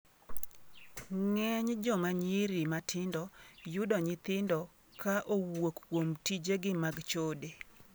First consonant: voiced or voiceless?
voiced